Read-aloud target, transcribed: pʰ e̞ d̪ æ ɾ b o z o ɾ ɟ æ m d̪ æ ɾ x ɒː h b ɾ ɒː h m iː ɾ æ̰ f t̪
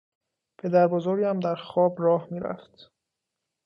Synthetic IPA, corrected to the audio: pʰ e̞ d̪ æ ɾ b o z o ɾ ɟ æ m d̪ æ ɾ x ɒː b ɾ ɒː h m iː ɾ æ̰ f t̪